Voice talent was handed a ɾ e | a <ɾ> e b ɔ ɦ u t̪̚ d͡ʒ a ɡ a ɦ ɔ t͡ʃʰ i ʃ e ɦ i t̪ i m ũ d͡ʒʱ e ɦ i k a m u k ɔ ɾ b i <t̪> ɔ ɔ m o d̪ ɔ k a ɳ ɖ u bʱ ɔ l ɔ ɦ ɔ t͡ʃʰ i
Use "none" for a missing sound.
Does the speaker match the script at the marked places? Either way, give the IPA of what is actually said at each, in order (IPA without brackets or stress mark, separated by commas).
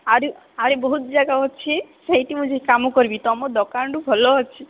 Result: ɾ, t̪